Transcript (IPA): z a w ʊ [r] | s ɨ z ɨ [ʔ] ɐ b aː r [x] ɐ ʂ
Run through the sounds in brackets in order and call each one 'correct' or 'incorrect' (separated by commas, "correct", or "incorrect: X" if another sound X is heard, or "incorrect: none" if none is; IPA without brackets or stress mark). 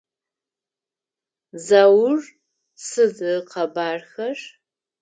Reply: correct, incorrect: q, correct